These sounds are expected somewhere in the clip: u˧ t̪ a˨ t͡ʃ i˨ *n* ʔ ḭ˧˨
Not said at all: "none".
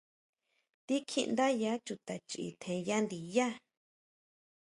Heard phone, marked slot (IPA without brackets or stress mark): none